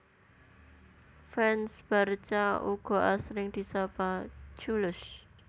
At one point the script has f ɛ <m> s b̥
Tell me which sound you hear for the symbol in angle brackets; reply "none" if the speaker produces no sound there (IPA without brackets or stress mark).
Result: n